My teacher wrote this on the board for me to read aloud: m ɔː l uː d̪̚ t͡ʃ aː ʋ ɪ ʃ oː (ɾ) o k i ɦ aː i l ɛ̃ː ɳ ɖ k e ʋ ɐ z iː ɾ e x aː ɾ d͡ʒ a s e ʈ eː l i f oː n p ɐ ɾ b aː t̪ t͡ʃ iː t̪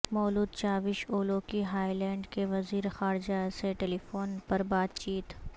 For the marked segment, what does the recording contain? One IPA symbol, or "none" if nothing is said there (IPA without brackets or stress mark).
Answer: l